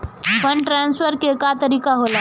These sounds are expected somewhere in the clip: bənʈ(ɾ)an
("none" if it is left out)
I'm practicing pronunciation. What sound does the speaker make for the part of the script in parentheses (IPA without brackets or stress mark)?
ɾ